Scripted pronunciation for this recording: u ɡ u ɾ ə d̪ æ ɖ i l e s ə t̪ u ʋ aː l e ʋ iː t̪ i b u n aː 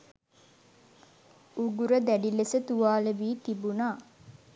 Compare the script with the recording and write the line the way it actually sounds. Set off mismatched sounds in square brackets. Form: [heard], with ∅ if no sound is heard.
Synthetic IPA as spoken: u ɡ u ɾ ə d̪ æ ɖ i l e s ə t̪ u ʋ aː l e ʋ iː t̪ i b u n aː